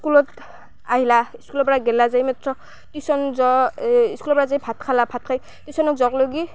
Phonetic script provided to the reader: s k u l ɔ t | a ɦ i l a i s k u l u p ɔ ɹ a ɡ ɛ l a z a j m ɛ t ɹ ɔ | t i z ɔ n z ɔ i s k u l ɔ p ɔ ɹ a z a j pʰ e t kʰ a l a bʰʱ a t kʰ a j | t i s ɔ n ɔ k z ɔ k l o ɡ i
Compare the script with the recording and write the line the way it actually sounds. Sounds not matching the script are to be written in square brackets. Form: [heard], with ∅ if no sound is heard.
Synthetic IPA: s k u l ɔ t | a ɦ i l a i s k u l [ɔ] p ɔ ɹ a ɡ ɛ l a z a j m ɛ t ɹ ɔ | t i [s] ɔ n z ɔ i s k u l ɔ p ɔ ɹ a z a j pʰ [a] t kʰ a l a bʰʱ a t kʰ a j | t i s ɔ n ɔ k z ɔ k l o ɡ i